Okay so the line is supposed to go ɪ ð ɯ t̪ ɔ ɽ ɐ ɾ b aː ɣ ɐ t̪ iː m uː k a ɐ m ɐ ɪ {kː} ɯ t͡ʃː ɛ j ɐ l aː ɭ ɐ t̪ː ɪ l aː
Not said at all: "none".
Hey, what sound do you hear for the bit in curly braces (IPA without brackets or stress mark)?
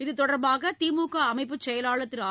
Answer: pː